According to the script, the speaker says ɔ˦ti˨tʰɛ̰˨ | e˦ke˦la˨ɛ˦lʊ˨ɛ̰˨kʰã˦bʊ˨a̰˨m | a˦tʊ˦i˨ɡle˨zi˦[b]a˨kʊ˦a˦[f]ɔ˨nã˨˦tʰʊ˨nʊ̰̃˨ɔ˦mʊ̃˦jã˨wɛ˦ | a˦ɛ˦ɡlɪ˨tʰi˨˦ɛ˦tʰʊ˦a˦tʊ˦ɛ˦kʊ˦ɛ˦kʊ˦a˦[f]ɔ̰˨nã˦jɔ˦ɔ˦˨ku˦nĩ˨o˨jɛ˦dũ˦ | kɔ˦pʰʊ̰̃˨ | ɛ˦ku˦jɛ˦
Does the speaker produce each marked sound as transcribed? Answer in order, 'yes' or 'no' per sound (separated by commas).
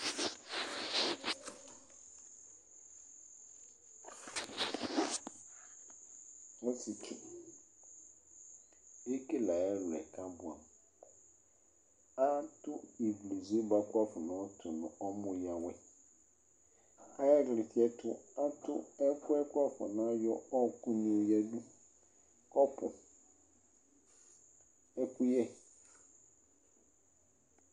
yes, yes, yes